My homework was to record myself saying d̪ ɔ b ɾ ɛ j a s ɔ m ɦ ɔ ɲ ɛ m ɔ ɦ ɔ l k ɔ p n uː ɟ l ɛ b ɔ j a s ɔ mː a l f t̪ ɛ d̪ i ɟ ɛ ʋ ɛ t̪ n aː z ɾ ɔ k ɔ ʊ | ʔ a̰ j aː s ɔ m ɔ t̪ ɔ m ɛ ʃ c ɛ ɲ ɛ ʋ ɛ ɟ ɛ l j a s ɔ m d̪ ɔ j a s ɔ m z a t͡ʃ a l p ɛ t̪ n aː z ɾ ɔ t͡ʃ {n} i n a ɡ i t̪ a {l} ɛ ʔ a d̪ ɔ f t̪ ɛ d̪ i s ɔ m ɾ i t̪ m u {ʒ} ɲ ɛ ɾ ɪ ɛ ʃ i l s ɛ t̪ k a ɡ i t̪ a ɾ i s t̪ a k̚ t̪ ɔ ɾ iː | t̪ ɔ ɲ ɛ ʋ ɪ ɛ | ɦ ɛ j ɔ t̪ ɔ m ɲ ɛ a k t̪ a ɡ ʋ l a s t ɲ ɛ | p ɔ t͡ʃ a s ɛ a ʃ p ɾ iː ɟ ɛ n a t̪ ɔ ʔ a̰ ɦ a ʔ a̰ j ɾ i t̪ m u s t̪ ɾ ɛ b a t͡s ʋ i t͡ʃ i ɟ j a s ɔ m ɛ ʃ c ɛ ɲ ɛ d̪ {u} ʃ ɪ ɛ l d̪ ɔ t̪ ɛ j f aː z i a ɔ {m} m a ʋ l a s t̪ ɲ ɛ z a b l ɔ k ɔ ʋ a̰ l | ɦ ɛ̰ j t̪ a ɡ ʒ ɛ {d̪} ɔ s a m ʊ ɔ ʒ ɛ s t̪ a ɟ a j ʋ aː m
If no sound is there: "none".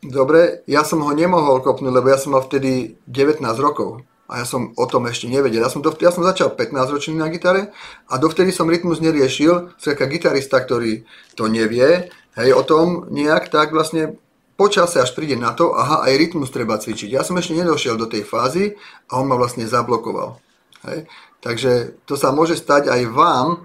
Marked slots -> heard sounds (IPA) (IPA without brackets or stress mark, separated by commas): n, ɾ, z, ɔ, n, t̪